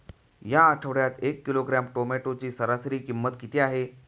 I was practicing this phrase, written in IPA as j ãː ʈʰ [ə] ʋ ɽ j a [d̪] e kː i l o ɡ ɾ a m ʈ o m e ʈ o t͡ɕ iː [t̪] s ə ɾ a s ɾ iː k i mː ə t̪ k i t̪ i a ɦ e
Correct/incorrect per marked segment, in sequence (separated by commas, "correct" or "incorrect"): correct, incorrect, incorrect